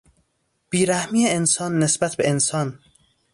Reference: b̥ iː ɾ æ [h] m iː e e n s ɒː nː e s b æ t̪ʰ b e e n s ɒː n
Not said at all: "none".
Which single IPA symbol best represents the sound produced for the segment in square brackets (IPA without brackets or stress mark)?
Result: h